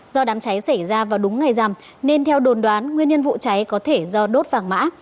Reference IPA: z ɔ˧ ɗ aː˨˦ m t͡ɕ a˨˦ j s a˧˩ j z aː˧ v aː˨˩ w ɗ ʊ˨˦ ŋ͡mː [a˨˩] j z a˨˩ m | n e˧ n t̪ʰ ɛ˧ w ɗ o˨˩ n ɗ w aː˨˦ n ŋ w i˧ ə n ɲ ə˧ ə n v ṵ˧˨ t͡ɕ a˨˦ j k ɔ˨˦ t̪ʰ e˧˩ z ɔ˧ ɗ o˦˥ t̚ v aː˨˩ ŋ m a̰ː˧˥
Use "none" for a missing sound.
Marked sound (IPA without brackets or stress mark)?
a˨˩